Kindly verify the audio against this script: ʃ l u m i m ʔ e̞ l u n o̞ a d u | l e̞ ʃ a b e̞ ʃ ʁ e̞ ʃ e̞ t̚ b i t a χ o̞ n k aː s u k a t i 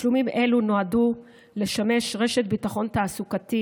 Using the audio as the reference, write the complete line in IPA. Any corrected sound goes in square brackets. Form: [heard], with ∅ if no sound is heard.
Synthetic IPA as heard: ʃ l u m i m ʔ e̞ l u n o̞ a d u | l e̞ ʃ a [m] e̞ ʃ ʁ e̞ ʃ e̞ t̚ b i t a χ o̞ n [t] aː s u k a t i